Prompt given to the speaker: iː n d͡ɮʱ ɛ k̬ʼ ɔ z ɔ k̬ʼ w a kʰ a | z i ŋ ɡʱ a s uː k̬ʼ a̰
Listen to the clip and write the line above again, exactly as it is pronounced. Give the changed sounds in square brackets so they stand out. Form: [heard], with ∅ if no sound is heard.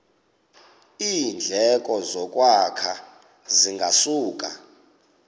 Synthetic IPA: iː n d͡ɮʱ ɛ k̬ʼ ɔ z ɔ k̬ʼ w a kʰ a | z i ŋ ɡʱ a s uː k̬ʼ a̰